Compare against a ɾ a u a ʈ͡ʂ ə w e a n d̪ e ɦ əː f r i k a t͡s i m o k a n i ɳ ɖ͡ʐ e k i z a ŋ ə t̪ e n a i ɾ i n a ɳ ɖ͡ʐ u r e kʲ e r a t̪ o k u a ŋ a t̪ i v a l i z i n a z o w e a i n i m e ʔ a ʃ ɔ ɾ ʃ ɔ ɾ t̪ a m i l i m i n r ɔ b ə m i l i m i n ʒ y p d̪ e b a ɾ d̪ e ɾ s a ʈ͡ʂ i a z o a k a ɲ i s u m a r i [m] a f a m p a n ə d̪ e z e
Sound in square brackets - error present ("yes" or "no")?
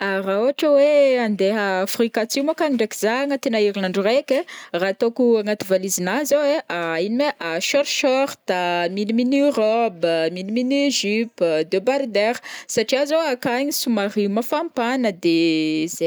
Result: no